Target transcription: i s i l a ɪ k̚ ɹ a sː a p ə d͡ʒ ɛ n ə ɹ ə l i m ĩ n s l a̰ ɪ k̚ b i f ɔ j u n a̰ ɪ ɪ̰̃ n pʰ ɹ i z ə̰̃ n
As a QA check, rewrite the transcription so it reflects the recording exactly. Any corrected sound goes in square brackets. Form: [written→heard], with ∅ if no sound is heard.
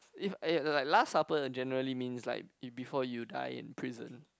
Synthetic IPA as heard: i [s→f] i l a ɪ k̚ [ɹ→l] a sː a p ə d͡ʒ ɛ n ə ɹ ə l i m ĩ n s l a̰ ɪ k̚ b i f ɔ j u [n→d] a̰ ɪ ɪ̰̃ n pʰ ɹ i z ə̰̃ n